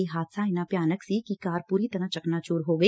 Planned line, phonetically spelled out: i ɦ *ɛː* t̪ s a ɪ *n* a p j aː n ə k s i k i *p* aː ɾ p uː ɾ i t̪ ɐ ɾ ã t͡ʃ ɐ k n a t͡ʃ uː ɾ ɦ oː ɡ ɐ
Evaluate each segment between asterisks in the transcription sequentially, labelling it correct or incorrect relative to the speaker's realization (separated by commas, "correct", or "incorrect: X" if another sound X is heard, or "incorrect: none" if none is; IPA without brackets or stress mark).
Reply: incorrect: aː, correct, incorrect: k